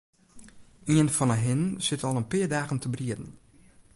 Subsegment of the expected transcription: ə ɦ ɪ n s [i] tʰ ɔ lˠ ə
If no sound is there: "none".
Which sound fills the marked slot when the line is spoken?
ɪ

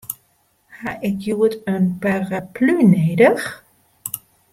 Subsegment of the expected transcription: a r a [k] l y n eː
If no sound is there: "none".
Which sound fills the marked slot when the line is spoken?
p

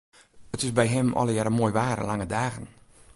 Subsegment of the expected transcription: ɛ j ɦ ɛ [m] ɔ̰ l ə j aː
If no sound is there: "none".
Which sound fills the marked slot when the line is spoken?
m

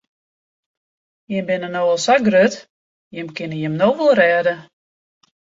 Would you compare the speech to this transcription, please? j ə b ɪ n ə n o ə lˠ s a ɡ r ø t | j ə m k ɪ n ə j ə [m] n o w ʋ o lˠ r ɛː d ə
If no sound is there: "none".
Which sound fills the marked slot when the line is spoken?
m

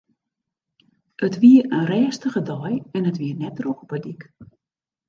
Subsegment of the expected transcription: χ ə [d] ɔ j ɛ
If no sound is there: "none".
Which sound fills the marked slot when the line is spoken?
d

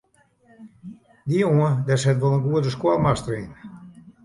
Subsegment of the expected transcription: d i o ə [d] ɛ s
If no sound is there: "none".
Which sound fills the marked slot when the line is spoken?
d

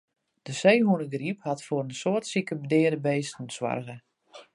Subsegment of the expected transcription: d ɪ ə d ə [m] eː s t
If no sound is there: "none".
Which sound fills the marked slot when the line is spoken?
b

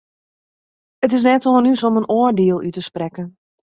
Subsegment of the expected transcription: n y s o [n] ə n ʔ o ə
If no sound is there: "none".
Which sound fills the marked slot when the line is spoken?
m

